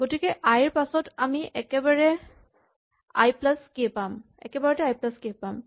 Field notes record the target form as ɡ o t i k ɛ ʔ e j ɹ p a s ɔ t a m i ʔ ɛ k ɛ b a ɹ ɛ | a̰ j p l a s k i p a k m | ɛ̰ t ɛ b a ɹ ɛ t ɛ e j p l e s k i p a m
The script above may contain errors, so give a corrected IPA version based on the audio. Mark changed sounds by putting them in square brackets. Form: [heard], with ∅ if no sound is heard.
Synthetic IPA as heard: ɡ o t i k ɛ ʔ [a] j ɹ p a s ɔ t a m i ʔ ɛ k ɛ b a ɹ ɛ | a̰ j p l a s k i p a [∅] m | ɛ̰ [k] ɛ b a ɹ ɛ t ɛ [a] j p l [a] s k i p a m